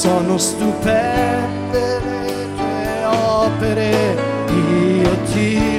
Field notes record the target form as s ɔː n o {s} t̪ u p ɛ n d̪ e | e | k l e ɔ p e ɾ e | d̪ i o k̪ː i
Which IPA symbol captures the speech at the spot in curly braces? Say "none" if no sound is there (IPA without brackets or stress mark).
s